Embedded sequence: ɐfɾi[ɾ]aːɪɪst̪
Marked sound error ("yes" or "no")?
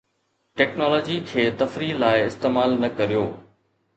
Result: yes